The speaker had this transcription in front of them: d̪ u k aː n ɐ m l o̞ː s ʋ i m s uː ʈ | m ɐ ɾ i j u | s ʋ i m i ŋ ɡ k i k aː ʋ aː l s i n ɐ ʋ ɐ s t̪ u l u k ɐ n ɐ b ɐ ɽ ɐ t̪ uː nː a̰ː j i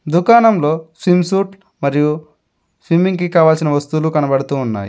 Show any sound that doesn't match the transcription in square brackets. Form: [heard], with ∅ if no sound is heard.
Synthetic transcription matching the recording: d̪ u k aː n ɐ m l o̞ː s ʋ i m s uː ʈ | m ɐ ɾ i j u | s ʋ i m i ŋ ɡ k i k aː ʋ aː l s i n ɐ ʋ ɐ s t̪ u l u k ɐ n ɐ b ɐ ɽ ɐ t̪ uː nː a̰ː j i